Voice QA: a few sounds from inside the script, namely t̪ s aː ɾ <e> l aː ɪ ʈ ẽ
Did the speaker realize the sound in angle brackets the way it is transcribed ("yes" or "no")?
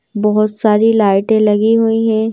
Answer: no